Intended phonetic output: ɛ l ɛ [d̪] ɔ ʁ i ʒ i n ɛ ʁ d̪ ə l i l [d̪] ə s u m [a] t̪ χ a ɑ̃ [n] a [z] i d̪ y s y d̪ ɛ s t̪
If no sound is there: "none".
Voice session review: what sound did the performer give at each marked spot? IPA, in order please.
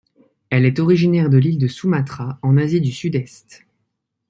t̪, d̪, a, n, z

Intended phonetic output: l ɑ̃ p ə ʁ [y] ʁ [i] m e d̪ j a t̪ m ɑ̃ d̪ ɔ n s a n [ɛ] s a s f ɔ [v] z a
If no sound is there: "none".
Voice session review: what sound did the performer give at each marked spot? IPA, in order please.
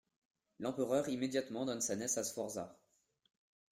œ, i, ɛ, ʁ

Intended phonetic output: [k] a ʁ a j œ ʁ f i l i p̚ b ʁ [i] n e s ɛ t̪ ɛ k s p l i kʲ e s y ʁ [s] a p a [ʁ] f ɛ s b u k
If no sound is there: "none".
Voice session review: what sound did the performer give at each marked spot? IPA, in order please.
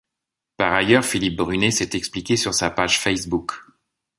p, y, s, ʒ

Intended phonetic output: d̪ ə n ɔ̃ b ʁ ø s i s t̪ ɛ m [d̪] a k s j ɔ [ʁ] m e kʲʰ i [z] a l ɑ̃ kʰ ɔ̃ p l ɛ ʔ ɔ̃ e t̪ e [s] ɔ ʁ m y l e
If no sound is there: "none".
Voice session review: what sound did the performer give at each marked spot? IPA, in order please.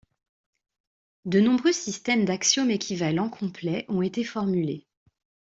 d̪, none, v, f

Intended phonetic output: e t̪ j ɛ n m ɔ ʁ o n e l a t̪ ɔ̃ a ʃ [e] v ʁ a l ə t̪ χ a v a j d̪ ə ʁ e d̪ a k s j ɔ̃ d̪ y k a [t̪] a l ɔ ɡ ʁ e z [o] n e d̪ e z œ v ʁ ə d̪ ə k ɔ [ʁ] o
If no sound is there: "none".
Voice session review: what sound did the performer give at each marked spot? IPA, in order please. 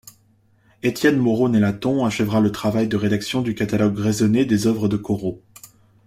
ɛ, t̪, ɔ, ʁ

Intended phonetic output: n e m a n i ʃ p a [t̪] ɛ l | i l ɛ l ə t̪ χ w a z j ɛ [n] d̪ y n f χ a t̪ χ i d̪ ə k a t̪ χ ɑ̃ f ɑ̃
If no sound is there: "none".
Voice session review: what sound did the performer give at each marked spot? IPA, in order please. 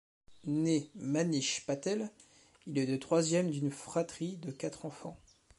t̪, m

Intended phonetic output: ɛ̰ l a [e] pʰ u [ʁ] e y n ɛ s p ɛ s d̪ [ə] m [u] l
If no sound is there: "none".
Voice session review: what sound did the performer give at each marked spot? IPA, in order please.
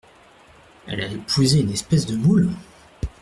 e, z, ə, u

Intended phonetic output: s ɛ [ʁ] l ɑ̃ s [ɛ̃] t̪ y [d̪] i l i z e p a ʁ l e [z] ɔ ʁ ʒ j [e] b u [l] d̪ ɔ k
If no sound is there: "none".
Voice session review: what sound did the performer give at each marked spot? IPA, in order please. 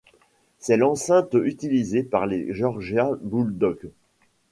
none, ɛ̃, t̪, ʒ, a, l

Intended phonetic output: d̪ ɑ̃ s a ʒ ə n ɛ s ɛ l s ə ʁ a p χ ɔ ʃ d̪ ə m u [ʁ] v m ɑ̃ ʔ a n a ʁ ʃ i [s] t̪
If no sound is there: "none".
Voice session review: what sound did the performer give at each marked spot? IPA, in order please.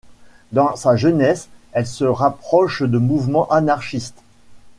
none, s

